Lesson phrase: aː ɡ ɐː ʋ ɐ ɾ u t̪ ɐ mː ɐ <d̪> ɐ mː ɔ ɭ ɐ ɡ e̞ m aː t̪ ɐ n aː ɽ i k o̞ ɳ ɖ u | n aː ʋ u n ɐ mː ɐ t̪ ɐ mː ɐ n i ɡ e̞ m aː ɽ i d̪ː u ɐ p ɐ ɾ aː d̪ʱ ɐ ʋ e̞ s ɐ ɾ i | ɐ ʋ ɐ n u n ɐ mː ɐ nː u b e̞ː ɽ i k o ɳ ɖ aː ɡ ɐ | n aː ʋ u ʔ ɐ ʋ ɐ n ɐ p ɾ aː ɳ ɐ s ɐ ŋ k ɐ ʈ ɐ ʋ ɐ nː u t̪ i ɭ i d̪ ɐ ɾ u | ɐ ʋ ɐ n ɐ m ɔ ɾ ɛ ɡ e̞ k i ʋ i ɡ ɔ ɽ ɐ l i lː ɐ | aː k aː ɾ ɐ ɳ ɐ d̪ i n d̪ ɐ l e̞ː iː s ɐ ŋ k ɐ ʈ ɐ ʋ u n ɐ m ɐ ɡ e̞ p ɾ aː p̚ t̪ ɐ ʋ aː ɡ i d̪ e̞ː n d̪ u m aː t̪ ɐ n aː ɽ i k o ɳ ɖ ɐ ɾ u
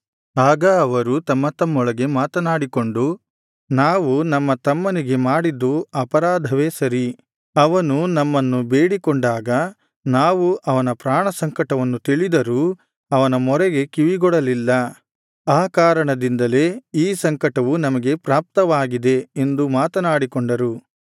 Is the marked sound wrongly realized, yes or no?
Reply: yes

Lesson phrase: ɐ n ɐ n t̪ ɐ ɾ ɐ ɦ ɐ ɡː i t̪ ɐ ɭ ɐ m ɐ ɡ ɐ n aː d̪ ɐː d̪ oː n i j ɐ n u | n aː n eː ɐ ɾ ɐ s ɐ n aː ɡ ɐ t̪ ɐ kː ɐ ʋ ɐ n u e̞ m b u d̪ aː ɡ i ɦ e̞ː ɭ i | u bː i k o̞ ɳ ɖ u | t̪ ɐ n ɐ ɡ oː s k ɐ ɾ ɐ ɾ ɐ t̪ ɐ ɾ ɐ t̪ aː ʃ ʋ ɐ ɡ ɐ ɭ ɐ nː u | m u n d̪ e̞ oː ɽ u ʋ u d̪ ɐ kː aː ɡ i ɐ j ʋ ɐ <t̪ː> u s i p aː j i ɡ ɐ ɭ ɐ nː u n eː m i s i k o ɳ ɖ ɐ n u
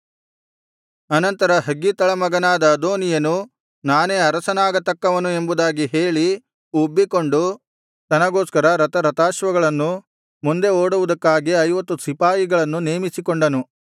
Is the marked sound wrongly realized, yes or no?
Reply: no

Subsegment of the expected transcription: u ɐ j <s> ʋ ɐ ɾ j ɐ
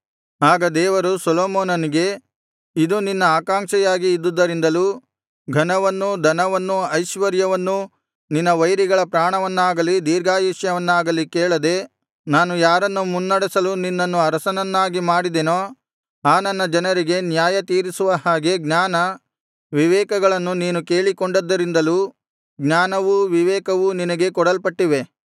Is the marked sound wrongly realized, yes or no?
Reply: yes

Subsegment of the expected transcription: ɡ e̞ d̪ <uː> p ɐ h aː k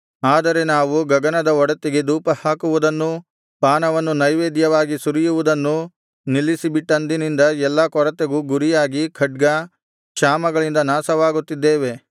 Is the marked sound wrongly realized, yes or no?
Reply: no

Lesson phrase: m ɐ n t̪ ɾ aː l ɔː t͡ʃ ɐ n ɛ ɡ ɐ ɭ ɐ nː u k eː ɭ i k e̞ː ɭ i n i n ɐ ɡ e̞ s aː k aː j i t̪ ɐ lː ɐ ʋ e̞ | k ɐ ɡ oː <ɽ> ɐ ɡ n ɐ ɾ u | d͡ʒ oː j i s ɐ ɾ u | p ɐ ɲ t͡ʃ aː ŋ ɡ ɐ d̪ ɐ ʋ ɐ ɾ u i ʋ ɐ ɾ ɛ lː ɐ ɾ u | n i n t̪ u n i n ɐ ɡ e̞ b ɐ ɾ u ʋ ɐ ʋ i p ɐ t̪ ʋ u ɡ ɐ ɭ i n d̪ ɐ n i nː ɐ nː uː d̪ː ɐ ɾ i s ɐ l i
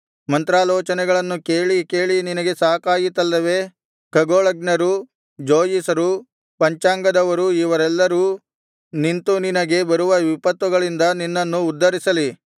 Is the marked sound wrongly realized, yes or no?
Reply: yes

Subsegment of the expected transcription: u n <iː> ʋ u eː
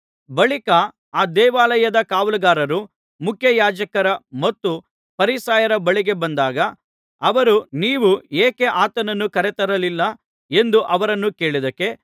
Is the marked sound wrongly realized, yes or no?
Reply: no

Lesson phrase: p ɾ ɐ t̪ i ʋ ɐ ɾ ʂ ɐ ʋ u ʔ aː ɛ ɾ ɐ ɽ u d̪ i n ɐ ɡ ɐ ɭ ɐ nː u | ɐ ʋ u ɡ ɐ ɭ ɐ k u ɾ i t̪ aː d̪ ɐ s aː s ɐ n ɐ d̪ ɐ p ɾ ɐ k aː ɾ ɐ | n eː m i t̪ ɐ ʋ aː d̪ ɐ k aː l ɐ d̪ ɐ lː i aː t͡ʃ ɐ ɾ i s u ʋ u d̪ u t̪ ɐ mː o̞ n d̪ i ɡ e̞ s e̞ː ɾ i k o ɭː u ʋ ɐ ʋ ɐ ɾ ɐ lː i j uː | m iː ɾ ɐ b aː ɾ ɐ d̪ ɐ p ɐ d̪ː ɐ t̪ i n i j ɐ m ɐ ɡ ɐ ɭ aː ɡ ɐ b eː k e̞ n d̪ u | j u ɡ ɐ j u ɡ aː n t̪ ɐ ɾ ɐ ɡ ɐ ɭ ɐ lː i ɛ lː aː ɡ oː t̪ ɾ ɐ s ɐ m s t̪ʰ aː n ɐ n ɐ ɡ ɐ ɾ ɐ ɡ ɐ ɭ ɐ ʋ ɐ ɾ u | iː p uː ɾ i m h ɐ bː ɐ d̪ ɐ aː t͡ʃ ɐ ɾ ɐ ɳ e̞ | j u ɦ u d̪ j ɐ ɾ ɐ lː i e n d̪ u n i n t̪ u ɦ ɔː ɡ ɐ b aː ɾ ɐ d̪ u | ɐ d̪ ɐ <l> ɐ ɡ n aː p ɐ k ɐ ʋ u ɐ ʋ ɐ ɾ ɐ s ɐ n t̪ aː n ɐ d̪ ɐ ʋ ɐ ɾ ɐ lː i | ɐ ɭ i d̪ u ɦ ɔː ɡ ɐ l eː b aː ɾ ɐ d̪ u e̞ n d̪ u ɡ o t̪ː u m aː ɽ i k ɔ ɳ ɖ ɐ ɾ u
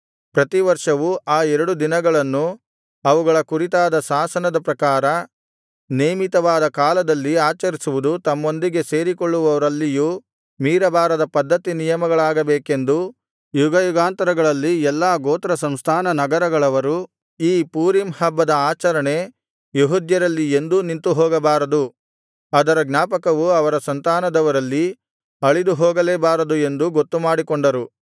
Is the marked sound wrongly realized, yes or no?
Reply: yes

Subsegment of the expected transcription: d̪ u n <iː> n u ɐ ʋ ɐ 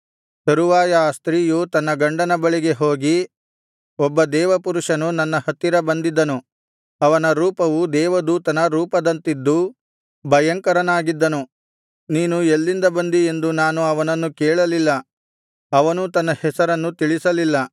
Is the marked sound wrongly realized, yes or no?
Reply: yes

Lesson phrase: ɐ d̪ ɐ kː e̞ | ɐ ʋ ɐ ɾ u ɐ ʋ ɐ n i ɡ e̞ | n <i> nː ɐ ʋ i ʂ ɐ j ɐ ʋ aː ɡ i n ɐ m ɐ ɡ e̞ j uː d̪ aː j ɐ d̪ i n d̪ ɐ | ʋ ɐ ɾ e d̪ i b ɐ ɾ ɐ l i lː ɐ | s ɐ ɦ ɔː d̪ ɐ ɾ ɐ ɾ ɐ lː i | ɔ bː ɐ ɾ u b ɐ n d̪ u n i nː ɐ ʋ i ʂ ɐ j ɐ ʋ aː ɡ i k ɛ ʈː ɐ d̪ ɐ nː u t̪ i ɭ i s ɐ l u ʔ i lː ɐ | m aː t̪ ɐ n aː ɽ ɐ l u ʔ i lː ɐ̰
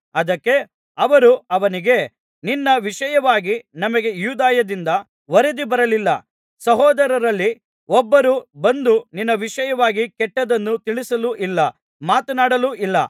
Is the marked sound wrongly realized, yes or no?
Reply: no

